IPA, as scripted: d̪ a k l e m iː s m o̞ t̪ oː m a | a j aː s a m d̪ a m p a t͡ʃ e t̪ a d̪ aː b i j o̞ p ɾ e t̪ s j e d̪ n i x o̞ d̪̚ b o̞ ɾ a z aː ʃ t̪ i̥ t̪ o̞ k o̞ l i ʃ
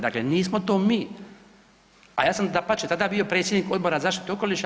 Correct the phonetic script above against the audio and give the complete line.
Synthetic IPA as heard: d̪ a k l e n iː s m o̞ t̪ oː m i | a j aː s a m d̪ a p a t͡ʃ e t̪ a d̪ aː b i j o̞ p ɾ e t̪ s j e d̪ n i k o̞ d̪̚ b o̞ ɾ a z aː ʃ t̪ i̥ t̪ o̞ k o̞ l i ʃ